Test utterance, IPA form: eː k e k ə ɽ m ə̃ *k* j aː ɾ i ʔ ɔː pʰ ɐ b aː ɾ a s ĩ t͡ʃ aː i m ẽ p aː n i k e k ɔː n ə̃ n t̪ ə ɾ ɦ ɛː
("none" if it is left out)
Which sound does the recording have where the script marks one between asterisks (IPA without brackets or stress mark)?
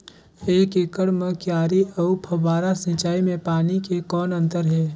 k